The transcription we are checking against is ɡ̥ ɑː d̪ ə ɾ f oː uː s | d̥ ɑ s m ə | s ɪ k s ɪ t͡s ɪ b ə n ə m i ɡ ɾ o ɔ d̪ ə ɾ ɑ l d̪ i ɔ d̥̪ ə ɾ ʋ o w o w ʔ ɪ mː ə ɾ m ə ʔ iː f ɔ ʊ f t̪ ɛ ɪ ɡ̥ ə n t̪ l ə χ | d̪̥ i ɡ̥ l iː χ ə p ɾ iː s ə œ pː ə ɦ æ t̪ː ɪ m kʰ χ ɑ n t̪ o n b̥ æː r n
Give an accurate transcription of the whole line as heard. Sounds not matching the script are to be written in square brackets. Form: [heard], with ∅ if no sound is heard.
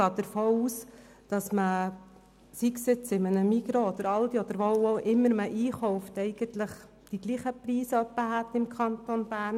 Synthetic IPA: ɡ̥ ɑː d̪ ə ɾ f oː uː s | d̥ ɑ s m ə | s [i] k s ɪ t͡s ɪ [m] ə n ə m i ɡ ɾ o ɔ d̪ ə ɾ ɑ l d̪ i ɔ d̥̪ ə ɾ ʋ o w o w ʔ ɪ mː ə ɾ m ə ʔ iː [χ] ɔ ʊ f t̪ ɛ ɪ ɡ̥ ə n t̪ l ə χ | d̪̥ i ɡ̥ l iː χ ə p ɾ iː s ə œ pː ə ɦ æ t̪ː ɪ m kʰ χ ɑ n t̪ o n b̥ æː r n